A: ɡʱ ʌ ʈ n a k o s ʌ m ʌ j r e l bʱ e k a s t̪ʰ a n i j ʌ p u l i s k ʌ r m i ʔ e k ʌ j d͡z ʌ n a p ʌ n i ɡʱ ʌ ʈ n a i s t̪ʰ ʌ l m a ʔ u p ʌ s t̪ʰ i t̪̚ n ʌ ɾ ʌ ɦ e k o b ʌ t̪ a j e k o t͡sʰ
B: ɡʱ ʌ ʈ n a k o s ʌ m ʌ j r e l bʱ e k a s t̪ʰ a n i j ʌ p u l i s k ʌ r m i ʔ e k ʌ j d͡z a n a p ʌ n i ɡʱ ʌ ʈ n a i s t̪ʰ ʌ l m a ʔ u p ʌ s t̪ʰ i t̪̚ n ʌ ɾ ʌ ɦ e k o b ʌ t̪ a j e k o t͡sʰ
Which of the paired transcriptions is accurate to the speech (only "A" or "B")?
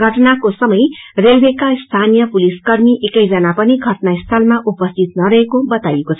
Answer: A